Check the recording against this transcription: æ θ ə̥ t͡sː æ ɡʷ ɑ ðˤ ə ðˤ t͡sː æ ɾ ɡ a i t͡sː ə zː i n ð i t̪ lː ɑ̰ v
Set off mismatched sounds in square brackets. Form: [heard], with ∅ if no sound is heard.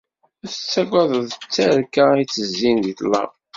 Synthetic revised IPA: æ θ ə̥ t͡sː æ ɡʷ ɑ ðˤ ə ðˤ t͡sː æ ɾ [k] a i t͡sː ə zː i n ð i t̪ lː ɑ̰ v